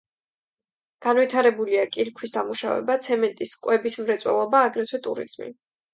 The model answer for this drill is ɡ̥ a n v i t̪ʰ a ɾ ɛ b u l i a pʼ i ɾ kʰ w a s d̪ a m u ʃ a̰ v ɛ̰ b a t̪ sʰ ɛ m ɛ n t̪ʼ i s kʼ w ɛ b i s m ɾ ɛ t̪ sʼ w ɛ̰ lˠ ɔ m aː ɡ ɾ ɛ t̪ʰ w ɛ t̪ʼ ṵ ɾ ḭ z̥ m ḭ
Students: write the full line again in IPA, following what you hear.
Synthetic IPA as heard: ɡ̥ a n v i t̪ʰ a ɾ ɛ b u l i a kʼ i ɾ kʰ w i s d̪ a m u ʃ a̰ v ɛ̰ b a t̪ sʰ ɛ m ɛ n t̪ʼ i s kʼ w ɛ b i s m ɾ ɛ t̪ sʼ w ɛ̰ lˠ ɔ b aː ɡ ɾ ɛ t̪ʰ w ɛ t̪ʼ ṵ ɾ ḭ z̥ m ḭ